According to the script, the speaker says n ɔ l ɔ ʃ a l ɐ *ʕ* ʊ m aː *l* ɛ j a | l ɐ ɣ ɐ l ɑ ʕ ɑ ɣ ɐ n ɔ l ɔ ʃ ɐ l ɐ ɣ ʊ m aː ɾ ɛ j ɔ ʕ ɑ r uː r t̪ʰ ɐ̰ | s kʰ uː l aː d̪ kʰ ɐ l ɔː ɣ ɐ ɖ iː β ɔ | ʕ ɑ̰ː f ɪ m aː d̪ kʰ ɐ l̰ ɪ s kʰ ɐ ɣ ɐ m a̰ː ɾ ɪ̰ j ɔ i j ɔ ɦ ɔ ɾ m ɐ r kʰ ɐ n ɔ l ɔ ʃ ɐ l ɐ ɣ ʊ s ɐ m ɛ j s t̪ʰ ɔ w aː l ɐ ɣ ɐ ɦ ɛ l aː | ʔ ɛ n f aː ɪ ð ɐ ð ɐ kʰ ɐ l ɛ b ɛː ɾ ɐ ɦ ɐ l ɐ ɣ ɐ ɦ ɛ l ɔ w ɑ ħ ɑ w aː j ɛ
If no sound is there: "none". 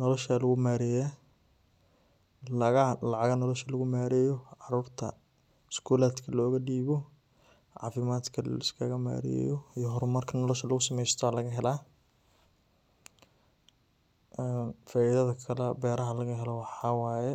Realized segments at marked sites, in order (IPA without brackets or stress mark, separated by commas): ɣ, ɾ